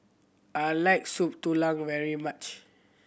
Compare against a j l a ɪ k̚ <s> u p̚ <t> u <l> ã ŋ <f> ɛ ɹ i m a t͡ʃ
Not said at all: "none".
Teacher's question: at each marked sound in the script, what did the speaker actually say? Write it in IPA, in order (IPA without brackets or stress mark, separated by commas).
s, t, l, v